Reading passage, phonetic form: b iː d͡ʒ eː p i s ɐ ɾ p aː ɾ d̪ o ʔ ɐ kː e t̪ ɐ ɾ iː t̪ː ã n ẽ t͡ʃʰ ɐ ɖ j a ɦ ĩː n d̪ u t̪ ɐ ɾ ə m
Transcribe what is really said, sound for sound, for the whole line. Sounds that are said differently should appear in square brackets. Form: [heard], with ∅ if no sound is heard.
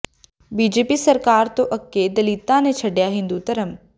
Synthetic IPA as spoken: b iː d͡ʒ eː p i s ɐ ɾ [k] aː ɾ [t̪] o ʔ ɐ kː e [d̪] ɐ [l] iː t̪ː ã n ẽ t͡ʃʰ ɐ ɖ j a ɦ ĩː n d̪ u t̪ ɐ ɾ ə m